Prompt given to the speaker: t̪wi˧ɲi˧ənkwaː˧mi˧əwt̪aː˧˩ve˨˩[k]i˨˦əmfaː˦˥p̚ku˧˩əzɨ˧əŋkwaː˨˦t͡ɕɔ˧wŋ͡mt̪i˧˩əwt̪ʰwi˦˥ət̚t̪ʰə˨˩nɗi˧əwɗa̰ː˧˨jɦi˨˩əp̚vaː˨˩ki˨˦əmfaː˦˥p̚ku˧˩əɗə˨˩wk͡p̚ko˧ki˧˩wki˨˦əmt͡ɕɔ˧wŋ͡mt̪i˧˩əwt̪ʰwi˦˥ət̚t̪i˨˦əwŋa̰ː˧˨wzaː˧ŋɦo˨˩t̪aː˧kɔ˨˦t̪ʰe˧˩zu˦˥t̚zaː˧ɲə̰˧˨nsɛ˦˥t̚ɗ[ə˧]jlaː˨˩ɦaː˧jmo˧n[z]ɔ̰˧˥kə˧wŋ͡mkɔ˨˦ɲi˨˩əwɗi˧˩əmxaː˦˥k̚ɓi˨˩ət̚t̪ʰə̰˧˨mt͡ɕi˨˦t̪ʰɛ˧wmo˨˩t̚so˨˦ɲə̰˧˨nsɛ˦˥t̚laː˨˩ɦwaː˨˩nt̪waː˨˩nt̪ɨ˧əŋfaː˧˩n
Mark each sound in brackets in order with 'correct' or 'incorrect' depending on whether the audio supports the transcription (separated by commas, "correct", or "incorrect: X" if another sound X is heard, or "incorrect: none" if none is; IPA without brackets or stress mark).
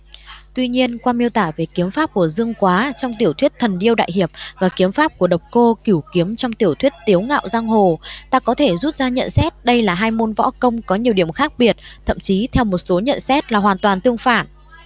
correct, correct, incorrect: v